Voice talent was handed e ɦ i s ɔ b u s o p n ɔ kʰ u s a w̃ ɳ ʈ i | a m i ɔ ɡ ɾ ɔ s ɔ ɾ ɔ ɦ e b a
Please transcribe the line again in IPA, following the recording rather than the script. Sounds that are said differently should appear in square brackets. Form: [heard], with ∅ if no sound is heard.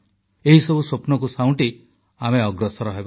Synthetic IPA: e ɦ i s ɔ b u s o p n ɔ [k] u s a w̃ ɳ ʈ i | a m [e] ɔ ɡ ɾ ɔ s ɔ ɾ ɔ ɦ e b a